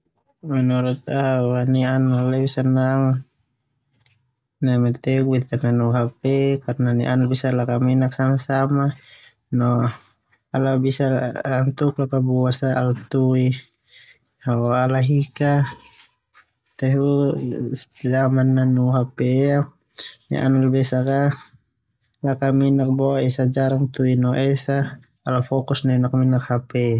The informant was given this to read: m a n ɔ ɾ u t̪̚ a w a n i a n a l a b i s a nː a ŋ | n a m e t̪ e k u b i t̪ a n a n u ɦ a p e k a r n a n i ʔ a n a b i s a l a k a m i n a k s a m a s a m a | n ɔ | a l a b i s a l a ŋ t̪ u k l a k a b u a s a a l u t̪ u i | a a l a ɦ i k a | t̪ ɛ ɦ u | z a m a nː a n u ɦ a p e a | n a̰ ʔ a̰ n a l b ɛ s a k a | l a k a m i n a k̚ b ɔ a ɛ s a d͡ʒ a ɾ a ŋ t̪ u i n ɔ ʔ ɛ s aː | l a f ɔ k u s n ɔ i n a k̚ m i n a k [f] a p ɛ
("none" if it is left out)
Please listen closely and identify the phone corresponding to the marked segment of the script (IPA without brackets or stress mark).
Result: h